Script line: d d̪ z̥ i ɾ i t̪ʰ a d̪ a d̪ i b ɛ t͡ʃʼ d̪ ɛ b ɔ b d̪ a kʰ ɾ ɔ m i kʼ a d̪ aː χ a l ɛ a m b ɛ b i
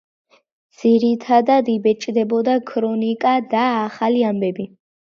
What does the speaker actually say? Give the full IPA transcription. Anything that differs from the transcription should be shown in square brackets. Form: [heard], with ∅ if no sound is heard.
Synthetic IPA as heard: d d̪ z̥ i ɾ i t̪ʰ a d̪ a d̪ i b ɛ t͡ʃʼ d̪ ɛ b ɔ [∅] d̪ a kʰ ɾ ɔ [n] i kʼ a d̪ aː χ a l [i] a m b ɛ b i